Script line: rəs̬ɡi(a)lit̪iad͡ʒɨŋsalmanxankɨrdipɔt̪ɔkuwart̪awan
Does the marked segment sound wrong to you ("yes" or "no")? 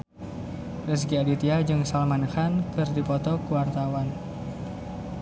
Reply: no